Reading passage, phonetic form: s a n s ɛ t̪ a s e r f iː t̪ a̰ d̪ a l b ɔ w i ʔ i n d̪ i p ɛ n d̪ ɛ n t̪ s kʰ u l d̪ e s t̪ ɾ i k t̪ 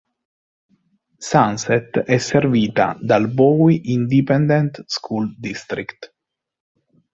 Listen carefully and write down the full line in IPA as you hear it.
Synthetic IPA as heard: s a n s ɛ t̪ ɛ s e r v iː t̪ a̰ d̪ a l b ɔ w i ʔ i n d̪ i p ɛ n d̪ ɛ n t̪ s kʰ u l d̪ i s t̪ ɾ i k t̪